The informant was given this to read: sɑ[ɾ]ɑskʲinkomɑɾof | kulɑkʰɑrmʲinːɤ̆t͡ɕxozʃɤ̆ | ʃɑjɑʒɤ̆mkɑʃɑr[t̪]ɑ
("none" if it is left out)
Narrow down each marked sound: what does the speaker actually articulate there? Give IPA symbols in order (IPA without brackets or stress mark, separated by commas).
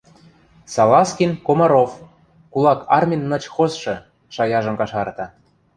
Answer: l, t̪